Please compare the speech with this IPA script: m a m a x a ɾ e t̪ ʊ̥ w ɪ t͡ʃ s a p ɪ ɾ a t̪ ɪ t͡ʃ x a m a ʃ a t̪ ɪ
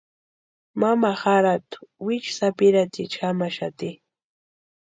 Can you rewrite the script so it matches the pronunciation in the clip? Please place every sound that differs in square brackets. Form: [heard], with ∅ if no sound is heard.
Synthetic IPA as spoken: m a m a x a ɾ [a] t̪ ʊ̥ w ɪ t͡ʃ s a p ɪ ɾ a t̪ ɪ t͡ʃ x a m a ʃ a t̪ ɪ